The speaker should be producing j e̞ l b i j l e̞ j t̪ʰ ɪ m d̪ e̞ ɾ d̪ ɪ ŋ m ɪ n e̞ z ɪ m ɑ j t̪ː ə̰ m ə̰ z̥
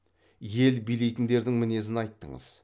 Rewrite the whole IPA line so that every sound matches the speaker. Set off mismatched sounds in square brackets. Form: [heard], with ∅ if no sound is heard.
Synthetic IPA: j e̞ l b i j l e̞ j [t̪] ɪ [n] d̪ e̞ ɾ d̪ ɪ ŋ m ɪ n e̞ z ɪ [n] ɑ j t̪ː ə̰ [ɴ] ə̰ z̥